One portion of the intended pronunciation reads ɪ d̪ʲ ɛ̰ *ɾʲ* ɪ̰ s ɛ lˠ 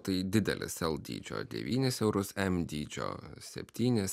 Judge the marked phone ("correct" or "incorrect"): incorrect